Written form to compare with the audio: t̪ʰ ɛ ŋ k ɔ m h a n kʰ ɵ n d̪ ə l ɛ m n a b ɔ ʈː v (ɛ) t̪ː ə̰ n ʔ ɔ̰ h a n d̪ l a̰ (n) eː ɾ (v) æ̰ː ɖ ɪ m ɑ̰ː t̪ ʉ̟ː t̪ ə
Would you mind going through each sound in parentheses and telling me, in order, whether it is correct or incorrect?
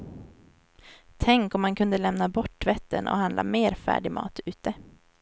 correct, incorrect, incorrect

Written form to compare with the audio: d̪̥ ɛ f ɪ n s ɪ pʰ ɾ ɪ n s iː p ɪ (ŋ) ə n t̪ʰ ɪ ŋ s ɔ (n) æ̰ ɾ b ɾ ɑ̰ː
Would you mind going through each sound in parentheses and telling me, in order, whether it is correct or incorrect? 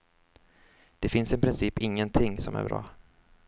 incorrect, incorrect

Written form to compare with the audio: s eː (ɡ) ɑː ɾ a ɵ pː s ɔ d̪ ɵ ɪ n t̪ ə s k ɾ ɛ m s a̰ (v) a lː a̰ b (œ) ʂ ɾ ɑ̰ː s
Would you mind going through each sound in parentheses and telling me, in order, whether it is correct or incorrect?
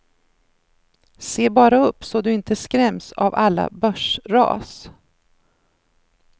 incorrect, correct, correct

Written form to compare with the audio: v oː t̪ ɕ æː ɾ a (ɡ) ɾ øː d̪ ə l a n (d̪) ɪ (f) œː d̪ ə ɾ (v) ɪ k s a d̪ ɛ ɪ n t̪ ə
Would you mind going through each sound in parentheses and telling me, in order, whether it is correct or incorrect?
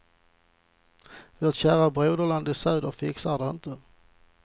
incorrect, correct, incorrect, incorrect

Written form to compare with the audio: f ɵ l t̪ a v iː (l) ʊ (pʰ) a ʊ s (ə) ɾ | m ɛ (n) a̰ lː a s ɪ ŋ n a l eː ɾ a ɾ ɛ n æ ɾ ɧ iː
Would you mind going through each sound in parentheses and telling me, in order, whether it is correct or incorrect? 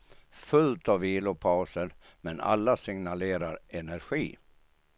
correct, correct, correct, correct

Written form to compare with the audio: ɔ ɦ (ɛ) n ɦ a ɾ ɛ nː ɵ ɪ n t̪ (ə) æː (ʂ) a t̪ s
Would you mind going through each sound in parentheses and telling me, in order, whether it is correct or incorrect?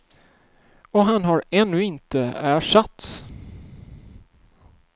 incorrect, correct, correct

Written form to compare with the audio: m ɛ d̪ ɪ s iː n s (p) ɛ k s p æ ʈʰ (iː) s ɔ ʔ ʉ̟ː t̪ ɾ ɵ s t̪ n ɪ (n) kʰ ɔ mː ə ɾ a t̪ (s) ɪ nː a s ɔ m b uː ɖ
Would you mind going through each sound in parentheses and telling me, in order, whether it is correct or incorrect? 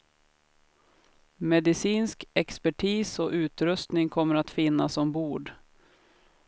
incorrect, correct, incorrect, incorrect

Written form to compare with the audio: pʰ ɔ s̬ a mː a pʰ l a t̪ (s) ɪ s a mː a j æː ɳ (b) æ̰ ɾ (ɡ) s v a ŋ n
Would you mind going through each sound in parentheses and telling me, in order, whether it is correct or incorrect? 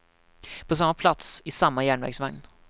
correct, incorrect, correct

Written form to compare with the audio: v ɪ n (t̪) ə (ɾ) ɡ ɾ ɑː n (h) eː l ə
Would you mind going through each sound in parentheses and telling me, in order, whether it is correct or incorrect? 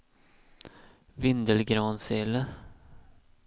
incorrect, incorrect, incorrect

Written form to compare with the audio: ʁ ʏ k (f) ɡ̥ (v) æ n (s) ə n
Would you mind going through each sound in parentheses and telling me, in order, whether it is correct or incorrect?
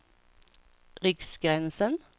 incorrect, incorrect, correct

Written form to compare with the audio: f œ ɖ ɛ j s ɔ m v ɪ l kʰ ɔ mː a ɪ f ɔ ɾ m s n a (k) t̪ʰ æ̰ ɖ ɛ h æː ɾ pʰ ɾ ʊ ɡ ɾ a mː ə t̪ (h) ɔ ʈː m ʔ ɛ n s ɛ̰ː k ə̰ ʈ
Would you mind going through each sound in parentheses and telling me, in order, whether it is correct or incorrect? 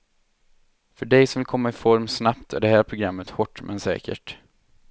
incorrect, correct

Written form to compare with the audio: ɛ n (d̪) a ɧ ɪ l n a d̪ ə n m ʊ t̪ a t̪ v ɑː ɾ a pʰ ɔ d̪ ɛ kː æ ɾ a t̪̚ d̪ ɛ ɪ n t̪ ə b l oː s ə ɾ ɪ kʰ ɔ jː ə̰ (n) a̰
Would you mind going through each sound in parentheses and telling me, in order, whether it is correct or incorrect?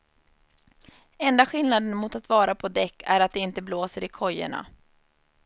correct, incorrect

